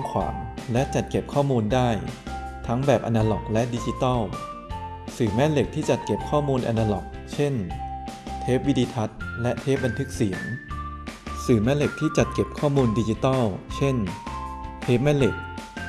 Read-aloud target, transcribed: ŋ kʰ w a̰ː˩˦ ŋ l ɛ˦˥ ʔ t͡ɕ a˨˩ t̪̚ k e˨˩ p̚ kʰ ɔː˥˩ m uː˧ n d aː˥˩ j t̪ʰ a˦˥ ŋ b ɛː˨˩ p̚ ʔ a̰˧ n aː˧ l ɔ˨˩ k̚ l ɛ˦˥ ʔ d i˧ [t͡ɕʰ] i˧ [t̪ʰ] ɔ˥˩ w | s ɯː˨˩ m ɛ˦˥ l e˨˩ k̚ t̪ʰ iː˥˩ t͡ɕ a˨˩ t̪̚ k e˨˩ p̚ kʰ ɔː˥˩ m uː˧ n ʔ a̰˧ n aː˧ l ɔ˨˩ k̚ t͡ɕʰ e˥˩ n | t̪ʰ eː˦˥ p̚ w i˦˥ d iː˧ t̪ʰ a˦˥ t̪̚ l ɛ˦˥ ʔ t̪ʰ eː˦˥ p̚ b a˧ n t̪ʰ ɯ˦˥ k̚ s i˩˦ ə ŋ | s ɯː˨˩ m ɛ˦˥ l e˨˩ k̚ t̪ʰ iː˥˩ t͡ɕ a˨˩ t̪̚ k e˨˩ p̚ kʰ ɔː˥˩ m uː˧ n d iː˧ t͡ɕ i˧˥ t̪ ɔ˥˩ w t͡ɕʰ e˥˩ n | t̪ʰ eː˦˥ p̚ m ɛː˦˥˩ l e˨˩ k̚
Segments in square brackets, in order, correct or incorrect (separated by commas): incorrect, incorrect